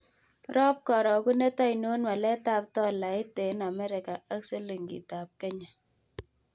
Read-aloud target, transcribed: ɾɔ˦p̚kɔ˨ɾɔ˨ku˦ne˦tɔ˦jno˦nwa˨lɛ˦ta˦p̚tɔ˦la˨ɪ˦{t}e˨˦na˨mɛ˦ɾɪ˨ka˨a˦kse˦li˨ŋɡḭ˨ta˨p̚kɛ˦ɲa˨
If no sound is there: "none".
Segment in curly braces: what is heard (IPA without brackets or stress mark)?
t